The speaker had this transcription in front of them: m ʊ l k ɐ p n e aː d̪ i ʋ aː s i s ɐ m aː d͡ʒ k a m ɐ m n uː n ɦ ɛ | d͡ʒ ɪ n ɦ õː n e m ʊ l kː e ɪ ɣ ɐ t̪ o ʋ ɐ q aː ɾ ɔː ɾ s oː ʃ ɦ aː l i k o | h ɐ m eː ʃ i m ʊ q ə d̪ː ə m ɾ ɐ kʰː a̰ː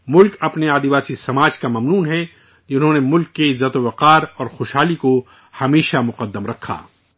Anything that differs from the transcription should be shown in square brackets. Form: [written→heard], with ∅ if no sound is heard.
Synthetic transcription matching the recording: m ʊ l k ɐ p n e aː d̪ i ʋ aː s i s ɐ m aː d͡ʒ k a m ɐ m n uː n ɦ ɛ | d͡ʒ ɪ n ɦ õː n e m ʊ l kː e ɪ [ɣ→z] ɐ t̪ o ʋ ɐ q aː ɾ ɔː ɾ [s→x] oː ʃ ɦ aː l i k o | h ɐ m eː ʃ [i→a] m ʊ q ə d̪ː ə m ɾ ɐ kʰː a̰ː